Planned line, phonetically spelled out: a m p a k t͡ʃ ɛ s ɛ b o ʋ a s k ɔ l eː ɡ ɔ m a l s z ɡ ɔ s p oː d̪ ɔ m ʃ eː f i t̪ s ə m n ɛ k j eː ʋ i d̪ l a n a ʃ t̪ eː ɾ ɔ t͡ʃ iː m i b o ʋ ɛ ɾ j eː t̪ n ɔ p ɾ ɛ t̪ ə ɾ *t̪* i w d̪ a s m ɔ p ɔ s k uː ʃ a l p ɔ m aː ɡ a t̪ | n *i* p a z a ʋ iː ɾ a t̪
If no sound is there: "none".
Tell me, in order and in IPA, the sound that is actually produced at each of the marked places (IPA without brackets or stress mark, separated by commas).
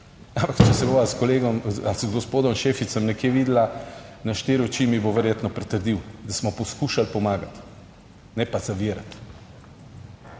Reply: d̪, ɛ